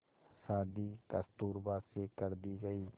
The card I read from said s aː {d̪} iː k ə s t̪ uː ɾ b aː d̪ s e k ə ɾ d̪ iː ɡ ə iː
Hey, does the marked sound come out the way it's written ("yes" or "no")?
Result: yes